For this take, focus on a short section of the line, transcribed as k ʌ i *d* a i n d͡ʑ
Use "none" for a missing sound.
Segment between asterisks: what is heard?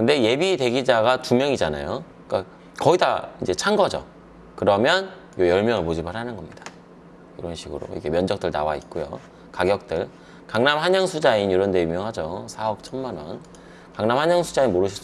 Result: d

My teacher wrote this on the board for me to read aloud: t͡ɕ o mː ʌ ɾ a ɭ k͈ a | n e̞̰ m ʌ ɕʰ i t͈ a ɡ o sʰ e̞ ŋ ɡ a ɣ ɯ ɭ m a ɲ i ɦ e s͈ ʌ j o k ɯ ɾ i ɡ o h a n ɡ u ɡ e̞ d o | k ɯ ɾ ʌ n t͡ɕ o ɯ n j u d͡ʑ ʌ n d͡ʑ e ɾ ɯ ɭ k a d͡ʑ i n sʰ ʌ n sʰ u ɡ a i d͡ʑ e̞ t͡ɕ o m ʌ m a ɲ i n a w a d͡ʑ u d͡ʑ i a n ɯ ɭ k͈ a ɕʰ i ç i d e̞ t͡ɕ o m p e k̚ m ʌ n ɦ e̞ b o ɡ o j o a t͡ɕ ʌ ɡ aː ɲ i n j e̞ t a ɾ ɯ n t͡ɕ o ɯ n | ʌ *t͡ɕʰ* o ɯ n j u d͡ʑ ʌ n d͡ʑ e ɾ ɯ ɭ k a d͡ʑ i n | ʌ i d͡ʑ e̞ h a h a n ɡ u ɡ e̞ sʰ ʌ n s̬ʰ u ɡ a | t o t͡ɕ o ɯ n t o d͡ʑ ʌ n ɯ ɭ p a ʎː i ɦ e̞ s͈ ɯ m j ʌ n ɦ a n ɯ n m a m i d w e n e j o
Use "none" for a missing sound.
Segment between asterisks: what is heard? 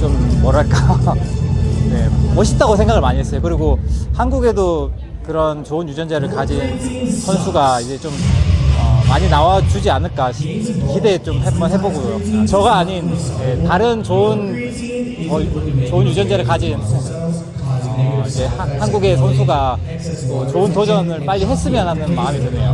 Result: t͡ɕ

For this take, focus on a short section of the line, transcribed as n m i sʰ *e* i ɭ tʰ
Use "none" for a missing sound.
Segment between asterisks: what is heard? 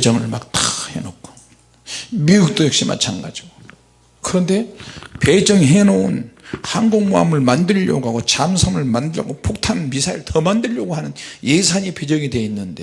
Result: a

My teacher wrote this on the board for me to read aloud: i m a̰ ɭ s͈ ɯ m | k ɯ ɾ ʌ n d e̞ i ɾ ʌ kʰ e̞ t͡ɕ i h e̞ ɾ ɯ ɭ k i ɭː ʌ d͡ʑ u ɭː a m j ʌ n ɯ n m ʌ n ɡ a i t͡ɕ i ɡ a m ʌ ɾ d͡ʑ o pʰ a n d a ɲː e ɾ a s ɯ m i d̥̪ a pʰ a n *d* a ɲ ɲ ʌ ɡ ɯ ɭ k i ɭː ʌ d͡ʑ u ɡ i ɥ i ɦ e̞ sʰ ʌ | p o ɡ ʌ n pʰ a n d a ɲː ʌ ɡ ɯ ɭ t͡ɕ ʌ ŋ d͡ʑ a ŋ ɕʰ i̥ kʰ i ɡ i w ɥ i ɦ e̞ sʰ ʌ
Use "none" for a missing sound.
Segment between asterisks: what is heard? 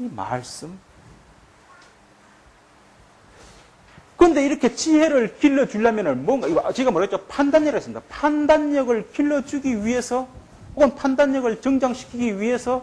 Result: d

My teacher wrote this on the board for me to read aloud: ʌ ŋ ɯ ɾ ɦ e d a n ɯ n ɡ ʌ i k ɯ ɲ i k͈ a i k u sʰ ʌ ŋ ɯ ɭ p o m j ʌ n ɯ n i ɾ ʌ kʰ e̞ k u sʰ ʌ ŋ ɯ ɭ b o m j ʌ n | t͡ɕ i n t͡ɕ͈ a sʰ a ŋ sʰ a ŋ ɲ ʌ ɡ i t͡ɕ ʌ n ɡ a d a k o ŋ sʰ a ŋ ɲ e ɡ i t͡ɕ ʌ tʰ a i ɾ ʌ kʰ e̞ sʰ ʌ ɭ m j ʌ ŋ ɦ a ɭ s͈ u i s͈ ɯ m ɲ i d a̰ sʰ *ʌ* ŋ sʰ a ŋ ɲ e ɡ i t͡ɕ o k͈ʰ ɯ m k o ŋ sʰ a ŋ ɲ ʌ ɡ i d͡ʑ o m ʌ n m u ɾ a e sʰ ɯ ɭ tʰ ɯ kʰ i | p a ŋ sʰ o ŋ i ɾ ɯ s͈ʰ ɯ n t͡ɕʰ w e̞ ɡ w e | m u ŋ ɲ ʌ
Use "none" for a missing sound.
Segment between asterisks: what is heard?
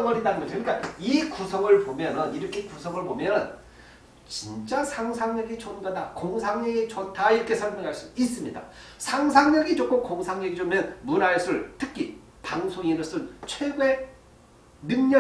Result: a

